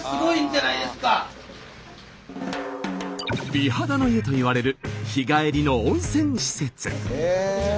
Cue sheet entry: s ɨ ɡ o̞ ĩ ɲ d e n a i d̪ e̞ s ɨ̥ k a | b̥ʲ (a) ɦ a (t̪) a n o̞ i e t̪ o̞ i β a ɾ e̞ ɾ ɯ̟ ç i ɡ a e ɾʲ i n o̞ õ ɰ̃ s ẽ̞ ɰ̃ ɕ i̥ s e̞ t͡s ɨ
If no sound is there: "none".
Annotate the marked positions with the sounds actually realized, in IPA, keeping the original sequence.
i, d̪

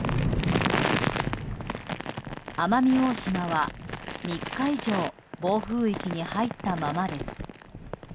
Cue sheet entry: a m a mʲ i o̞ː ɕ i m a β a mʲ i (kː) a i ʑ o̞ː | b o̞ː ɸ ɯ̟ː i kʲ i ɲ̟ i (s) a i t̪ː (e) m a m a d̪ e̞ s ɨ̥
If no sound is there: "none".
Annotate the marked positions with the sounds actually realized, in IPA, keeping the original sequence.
kː, h, a

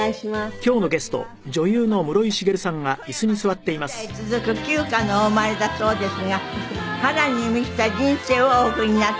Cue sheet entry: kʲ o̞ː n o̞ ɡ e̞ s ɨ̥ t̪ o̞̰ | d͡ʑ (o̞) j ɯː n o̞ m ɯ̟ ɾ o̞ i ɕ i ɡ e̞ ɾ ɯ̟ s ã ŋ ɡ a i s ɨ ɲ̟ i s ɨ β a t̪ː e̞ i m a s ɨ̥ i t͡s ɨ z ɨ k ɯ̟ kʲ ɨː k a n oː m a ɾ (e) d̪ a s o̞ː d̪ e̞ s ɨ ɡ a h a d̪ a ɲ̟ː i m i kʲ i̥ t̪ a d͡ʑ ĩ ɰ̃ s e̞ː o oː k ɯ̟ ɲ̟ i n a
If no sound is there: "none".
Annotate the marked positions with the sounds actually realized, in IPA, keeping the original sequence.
o̞, e

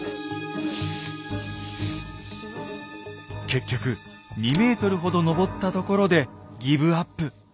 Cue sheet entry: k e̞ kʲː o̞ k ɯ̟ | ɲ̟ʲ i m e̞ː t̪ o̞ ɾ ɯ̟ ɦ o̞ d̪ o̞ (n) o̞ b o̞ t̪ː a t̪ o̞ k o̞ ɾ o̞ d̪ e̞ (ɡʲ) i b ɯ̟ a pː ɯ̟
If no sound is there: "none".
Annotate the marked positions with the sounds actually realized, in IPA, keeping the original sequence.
n, ɡʲ

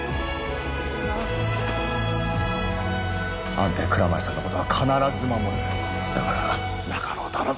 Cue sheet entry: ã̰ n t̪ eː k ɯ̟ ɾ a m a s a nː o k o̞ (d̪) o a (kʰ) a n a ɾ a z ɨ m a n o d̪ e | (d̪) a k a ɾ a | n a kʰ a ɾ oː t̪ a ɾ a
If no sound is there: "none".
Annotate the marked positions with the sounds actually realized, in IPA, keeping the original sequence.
t̪, kʰ, d̪

